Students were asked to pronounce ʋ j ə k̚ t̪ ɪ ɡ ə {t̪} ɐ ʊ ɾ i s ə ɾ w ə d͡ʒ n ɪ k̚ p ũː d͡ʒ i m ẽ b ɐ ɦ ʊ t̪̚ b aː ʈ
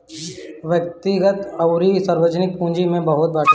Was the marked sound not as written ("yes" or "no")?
no